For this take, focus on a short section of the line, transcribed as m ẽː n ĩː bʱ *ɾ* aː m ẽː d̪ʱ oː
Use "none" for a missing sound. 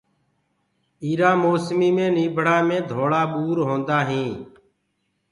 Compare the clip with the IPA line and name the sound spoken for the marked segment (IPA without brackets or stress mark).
ɽ